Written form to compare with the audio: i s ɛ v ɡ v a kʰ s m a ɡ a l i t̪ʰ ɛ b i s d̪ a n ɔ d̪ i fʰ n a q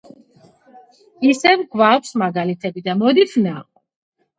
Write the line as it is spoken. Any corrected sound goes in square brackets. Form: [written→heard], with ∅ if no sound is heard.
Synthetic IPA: i s ɛ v ɡ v a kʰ s m a ɡ a l i t̪ʰ ɛ b i [s→∅] d̪ a [n→m] ɔ d̪ i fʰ n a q

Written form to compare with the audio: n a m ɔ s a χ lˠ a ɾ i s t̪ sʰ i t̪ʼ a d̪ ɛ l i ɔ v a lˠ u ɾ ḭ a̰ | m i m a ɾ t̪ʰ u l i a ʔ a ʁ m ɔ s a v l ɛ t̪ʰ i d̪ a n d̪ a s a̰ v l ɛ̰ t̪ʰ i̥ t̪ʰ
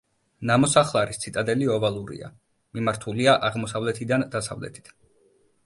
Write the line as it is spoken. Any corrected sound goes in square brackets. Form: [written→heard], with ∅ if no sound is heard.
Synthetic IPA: n a m ɔ s a χ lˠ a ɾ i s t̪ sʰ i t̪ʼ a d̪ ɛ l i ɔ v a lˠ u ɾ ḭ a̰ | m i m a ɾ t̪ʰ u l i a ʔ a ʁ m ɔ s a v l ɛ t̪ʰ i d̪ a n d̪ a s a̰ v l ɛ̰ t̪ʰ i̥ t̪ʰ

